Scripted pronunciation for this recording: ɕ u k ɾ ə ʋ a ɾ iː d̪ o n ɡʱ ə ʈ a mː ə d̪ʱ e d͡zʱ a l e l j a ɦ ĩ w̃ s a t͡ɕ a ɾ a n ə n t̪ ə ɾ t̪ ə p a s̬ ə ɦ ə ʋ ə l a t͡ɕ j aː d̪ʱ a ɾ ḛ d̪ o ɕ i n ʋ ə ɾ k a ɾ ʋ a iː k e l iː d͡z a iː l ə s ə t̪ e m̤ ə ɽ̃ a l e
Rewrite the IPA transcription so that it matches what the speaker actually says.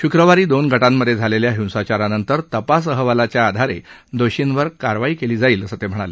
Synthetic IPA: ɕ u k ɾ ə ʋ a ɾ iː d̪ o n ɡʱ ə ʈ a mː ə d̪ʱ e d͡zʱ a l e l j a ɦ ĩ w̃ s a t͡ɕ a ɾ a n ə n t̪ ə ɾ t̪ ə p a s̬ ə ɦ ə ʋ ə l a t͡ɕ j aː d̪ʱ a ɾ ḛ d̪ o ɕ i n ʋ ə ɾ k a ɾ ʋ a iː k e l iː d͡z a iː l ə s ə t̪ e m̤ ə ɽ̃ a l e